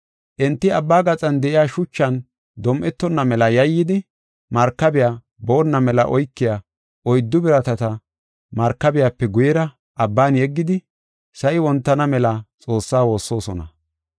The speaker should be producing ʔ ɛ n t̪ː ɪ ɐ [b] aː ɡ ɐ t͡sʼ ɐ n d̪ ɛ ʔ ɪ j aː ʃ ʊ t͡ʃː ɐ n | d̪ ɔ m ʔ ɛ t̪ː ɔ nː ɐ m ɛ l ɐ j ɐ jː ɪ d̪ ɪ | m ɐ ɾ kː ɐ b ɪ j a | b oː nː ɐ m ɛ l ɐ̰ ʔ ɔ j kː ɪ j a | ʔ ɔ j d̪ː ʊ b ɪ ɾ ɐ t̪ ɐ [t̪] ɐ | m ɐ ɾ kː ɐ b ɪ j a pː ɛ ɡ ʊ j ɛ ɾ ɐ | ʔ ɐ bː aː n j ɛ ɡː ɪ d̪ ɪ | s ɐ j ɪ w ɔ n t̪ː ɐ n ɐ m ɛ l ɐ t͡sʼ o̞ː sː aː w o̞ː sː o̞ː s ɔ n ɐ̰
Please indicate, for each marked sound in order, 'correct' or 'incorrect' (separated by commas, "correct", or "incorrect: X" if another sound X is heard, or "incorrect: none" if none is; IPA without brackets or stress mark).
incorrect: bː, correct